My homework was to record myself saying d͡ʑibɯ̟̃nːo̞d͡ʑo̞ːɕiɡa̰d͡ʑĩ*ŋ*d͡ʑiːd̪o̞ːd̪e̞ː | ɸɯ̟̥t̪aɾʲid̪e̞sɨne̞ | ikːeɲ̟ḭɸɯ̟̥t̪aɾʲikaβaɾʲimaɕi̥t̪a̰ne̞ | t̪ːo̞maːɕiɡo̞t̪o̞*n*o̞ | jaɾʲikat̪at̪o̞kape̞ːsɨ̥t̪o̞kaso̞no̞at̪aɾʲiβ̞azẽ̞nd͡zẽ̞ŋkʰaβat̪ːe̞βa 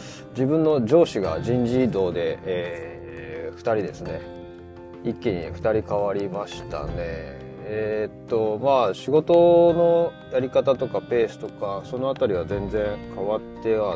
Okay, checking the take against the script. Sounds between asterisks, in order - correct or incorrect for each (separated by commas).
incorrect, correct